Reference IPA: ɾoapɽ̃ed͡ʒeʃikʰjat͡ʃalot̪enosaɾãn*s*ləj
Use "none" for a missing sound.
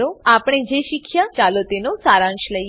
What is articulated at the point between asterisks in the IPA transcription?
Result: ʃ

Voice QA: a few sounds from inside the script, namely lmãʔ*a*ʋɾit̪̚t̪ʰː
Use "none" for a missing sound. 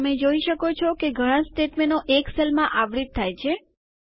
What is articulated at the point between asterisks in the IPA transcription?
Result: a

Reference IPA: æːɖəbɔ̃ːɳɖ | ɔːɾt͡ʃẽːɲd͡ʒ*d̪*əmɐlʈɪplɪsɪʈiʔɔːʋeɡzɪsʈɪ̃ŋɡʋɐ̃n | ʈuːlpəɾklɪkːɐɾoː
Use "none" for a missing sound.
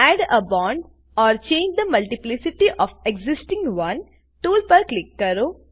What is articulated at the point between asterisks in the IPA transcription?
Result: d̪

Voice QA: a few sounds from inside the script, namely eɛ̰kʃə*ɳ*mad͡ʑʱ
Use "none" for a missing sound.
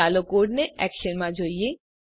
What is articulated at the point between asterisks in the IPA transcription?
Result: n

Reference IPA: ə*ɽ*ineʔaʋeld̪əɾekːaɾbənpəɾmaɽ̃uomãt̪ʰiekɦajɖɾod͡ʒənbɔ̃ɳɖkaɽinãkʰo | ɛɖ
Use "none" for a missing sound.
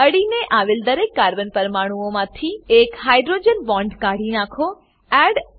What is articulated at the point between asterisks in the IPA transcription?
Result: ɽ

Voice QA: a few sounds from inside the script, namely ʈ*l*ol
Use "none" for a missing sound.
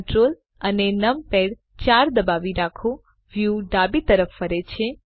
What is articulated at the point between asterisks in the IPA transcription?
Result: ɾ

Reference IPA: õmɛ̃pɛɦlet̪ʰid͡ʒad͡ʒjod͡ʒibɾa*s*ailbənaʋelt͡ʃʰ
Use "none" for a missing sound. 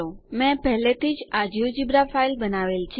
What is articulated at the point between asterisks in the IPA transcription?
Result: f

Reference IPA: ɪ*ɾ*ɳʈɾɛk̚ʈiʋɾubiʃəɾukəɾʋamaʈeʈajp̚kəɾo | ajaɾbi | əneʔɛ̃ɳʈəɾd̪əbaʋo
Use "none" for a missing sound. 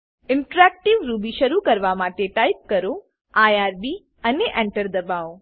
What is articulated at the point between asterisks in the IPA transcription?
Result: none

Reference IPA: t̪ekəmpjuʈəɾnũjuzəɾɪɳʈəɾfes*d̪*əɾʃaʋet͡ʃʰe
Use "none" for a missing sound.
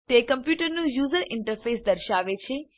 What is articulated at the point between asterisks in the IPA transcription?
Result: d̪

